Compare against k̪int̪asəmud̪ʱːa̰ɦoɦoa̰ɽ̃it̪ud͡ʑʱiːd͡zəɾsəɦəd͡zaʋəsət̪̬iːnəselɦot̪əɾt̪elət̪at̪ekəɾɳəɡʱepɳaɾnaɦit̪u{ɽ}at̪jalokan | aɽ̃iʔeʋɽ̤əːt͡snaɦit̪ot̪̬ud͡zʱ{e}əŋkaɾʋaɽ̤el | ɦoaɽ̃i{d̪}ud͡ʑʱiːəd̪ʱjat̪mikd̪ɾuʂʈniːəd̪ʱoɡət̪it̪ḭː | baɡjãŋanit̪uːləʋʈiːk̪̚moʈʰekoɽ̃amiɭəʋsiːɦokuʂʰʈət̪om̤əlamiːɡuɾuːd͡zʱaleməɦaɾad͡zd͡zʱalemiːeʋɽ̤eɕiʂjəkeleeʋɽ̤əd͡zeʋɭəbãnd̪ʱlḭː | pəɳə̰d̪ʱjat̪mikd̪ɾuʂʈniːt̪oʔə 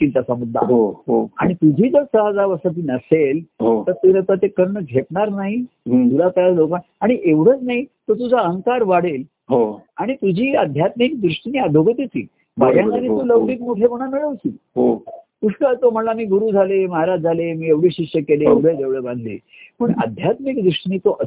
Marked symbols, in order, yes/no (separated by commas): no, no, no